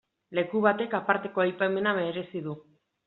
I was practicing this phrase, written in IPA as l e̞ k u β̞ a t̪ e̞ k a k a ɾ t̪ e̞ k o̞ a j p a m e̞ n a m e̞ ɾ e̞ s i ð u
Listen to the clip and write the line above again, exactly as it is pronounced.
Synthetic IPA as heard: l e̞ k u β̞ a t̪ e̞ k a p a ɾ t̪ e̞ k o̞ a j p a m e̞ n a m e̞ ɾ e̞ s i ð u